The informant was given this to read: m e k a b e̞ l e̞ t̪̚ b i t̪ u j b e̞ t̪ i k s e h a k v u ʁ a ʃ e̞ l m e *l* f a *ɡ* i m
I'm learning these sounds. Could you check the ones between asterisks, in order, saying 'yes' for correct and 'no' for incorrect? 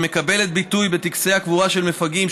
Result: no, yes

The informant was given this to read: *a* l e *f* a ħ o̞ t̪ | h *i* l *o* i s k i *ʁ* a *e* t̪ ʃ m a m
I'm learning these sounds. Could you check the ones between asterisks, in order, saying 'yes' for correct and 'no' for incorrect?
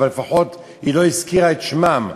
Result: yes, yes, yes, yes, yes, yes

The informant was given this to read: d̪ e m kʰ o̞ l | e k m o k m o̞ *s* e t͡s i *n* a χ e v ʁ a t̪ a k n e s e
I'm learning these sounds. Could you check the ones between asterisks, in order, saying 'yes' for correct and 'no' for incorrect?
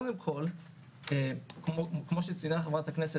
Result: no, yes

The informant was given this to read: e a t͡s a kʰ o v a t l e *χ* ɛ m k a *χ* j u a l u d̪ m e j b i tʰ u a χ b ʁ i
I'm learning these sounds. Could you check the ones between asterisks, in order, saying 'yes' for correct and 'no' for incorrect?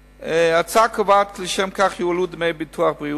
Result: no, yes

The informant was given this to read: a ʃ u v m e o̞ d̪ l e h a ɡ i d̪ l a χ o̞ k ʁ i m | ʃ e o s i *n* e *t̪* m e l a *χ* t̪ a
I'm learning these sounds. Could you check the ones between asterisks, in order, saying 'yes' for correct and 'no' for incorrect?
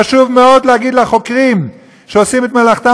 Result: no, yes, yes

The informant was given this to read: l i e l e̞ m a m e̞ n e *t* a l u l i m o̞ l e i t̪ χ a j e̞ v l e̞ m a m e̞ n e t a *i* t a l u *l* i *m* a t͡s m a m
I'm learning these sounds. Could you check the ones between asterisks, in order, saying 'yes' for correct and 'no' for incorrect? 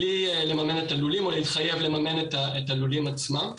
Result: yes, no, yes, yes

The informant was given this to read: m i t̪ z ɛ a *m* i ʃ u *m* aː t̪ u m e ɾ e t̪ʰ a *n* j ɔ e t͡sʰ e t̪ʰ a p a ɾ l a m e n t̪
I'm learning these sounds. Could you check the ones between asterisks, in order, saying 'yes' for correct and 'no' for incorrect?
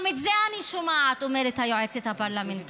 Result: no, yes, no

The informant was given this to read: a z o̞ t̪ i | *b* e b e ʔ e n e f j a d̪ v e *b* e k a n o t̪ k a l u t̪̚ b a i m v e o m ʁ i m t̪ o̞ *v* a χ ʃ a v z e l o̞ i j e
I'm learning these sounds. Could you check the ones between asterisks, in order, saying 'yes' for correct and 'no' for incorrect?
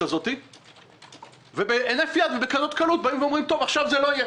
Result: no, yes, yes

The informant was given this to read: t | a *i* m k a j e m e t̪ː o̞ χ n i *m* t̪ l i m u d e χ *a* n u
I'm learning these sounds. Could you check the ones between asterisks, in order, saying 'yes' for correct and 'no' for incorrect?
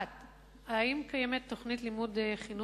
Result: yes, no, no

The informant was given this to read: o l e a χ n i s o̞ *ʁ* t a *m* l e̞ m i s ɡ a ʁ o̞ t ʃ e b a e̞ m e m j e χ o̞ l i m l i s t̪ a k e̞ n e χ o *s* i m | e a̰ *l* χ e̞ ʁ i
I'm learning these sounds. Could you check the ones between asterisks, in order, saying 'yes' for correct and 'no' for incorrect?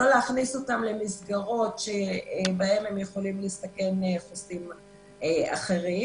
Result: no, yes, yes, no

